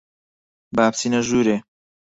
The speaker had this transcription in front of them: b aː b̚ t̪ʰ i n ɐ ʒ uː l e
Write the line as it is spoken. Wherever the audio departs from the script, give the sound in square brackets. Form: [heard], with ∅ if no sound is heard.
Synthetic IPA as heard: b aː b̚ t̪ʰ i n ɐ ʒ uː [ɾ] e